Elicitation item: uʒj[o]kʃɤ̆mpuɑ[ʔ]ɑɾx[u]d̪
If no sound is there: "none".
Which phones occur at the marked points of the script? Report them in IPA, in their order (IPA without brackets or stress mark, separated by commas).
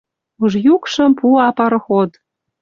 u, p, o